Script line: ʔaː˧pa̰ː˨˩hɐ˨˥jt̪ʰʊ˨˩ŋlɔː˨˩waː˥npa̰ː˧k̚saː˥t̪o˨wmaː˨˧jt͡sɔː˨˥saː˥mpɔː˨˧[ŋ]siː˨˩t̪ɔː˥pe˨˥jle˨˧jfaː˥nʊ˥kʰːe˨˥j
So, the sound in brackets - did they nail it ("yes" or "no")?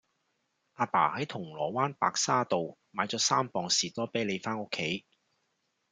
yes